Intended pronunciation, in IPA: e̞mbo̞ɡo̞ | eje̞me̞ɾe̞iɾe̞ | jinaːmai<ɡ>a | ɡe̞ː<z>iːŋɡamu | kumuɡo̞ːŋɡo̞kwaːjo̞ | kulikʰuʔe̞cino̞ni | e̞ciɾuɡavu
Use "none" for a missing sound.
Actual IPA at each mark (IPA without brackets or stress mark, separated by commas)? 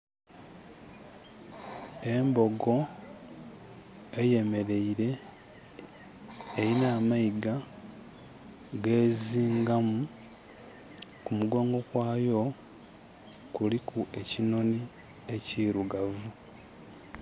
ɡ, z